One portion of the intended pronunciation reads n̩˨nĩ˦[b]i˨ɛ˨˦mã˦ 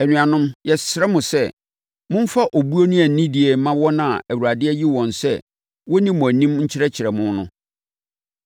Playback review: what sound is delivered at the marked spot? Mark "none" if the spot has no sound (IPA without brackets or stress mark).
d